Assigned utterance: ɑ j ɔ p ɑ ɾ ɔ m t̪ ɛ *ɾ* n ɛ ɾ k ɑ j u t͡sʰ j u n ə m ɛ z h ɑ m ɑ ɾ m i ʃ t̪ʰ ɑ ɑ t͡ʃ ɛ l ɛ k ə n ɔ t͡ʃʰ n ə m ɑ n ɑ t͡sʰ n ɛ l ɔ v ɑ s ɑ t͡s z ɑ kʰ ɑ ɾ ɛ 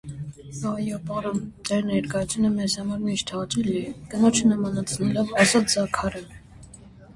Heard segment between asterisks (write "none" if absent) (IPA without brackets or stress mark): ɾ